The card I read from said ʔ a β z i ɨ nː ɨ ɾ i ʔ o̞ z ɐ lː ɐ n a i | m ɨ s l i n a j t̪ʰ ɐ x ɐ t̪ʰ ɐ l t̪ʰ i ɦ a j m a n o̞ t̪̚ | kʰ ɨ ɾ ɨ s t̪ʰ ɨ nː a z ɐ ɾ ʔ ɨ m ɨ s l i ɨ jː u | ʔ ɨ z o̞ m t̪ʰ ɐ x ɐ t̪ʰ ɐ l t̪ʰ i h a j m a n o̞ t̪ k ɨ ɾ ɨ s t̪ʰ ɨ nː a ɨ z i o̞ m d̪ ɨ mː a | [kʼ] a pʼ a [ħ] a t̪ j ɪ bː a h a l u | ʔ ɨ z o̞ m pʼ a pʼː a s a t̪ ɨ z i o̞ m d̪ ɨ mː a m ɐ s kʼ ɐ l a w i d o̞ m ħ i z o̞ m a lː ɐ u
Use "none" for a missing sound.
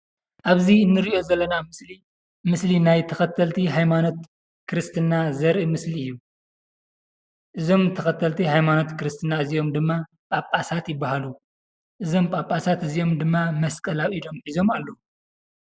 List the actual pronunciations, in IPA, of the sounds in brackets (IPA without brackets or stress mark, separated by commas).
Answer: pʼ, s